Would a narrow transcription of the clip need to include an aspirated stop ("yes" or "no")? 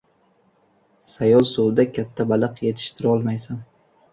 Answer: yes